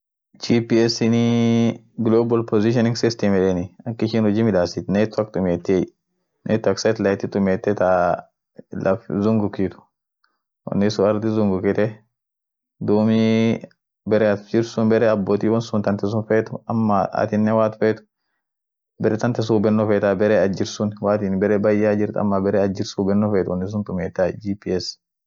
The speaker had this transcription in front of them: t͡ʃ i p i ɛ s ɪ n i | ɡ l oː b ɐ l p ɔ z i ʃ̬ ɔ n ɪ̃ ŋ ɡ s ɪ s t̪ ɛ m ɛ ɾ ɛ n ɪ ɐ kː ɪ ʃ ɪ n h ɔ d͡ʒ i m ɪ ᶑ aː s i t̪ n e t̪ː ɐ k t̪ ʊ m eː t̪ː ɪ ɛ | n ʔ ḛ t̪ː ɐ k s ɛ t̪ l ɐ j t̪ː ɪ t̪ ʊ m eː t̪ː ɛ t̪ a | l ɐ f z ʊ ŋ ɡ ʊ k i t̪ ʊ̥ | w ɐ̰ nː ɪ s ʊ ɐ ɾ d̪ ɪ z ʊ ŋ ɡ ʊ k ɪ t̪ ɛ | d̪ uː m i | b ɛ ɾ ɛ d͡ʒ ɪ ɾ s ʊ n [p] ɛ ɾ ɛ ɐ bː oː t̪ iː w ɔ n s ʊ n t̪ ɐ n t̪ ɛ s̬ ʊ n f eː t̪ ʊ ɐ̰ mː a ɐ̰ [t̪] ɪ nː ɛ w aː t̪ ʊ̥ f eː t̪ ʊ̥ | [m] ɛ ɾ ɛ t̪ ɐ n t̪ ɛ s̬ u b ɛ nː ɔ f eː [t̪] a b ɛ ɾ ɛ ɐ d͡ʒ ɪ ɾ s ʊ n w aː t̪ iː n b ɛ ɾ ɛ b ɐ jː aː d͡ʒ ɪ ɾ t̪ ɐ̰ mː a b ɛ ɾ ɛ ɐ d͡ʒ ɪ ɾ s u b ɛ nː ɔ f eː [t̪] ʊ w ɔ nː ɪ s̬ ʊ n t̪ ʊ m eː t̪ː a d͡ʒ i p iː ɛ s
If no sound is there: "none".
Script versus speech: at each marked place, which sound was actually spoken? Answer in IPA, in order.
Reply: b, t̪, b, t̪, t̪

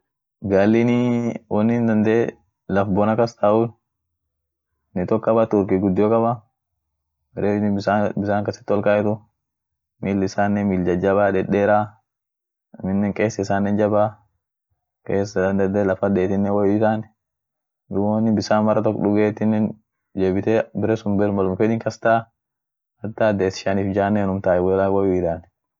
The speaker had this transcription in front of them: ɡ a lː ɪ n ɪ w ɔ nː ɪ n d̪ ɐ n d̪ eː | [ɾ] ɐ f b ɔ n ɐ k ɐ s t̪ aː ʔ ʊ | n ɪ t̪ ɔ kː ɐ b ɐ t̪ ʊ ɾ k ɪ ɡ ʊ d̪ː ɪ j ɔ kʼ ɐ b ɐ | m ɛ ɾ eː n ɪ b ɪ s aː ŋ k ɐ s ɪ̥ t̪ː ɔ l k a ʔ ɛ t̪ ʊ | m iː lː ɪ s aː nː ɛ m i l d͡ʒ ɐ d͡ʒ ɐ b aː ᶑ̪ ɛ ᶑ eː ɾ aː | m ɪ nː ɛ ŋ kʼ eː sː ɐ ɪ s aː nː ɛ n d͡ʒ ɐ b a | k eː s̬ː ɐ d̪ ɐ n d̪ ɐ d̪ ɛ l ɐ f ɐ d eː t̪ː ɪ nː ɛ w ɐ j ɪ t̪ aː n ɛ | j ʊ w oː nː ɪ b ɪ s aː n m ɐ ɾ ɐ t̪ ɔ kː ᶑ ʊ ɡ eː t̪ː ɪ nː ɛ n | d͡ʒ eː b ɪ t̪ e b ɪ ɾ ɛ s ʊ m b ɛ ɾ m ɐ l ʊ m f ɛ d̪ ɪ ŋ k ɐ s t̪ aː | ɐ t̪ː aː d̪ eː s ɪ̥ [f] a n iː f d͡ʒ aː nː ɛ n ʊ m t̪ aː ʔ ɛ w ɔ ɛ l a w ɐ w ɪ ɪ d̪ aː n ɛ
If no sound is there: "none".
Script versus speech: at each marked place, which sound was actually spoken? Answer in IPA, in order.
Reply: l, ʃ

